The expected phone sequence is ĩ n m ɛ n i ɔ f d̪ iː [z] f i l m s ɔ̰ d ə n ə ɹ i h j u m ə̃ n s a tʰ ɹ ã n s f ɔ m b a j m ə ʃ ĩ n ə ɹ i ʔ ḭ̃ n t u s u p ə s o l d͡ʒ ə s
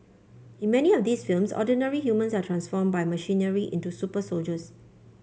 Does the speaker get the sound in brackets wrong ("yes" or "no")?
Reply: yes